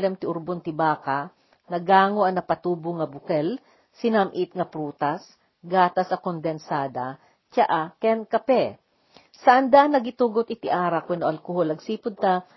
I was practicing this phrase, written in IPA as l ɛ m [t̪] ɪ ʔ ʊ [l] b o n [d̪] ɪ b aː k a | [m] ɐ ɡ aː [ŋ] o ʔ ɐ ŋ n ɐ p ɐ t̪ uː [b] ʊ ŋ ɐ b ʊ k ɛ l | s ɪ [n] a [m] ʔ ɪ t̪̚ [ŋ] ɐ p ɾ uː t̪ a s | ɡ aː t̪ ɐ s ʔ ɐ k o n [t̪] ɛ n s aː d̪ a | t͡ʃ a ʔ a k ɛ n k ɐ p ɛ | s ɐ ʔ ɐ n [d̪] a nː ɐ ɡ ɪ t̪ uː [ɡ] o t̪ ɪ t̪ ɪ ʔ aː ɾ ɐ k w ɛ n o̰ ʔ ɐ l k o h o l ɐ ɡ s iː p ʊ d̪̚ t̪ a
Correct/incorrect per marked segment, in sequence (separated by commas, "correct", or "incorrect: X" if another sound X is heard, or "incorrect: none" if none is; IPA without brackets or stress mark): correct, incorrect: ɾ, incorrect: t̪, incorrect: n, correct, correct, correct, correct, correct, incorrect: d̪, correct, correct